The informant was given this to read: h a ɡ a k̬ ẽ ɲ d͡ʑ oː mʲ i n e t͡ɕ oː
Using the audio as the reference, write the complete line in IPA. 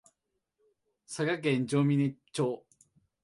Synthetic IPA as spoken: s a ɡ a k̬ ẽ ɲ d͡ʑ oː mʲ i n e t͡ɕ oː